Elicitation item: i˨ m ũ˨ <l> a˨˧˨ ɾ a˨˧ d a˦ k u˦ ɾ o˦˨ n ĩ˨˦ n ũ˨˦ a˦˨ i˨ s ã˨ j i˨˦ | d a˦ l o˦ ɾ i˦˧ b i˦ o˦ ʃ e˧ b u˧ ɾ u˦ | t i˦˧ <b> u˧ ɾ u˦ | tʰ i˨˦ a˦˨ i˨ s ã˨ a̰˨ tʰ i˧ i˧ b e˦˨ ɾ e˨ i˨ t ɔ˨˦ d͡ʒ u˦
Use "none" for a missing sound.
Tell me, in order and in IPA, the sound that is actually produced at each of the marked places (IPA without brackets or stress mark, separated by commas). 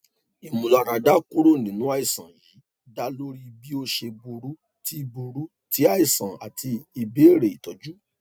l, b